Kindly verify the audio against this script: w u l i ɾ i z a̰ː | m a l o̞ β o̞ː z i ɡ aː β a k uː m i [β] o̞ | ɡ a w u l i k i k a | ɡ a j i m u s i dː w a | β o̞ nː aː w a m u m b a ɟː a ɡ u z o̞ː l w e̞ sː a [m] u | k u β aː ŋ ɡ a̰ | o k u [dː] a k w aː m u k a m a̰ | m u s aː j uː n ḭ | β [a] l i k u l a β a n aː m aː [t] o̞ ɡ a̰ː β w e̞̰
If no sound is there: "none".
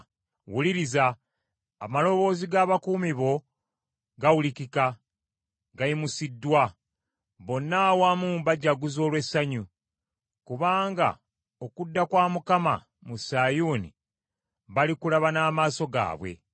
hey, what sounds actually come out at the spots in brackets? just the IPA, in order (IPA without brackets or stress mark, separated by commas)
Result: β, ɲ, dː, a, s